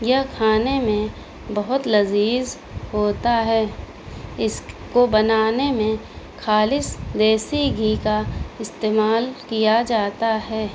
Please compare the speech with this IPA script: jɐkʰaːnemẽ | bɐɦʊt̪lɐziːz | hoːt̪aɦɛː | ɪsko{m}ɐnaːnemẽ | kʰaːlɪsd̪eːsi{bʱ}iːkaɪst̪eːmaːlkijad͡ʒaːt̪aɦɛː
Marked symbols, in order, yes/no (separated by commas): no, no